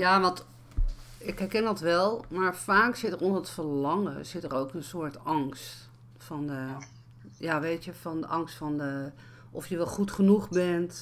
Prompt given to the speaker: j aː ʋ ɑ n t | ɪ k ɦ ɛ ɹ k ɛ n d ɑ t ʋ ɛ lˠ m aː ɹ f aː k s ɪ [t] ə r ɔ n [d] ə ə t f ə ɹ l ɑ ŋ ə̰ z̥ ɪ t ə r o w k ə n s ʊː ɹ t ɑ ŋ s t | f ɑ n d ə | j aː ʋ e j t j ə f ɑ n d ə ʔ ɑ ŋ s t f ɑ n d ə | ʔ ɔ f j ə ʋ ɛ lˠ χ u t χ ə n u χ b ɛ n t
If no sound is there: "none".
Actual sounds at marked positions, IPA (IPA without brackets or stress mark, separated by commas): t, d